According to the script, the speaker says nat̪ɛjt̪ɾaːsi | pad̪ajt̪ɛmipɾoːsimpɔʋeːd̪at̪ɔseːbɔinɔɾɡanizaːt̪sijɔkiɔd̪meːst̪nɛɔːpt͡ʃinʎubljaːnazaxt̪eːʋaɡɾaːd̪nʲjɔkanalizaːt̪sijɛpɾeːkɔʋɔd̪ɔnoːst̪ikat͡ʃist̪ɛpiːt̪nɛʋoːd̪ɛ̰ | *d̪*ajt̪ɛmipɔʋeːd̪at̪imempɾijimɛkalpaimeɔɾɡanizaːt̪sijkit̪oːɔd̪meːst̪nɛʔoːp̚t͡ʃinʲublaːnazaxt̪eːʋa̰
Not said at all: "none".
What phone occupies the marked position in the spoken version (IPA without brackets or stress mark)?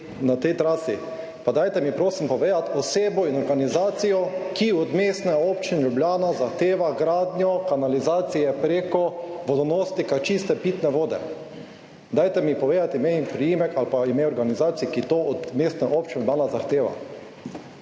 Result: d̪